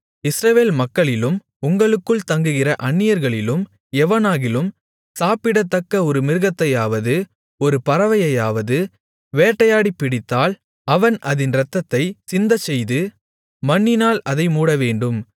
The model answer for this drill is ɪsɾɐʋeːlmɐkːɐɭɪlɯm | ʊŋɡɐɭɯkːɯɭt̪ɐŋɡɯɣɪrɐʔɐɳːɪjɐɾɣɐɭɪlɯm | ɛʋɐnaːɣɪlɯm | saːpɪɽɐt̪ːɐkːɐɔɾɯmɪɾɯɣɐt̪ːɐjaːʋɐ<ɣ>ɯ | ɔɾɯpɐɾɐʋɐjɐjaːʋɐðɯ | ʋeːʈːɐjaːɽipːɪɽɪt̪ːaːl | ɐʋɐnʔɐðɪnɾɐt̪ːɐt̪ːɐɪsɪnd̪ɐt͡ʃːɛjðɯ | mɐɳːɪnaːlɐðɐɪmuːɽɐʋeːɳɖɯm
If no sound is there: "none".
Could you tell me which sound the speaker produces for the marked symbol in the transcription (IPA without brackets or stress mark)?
ð